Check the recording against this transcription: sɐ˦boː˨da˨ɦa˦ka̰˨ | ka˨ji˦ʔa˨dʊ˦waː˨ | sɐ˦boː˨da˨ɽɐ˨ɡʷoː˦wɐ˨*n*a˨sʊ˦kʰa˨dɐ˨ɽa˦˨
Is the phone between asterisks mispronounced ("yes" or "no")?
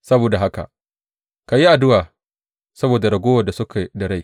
yes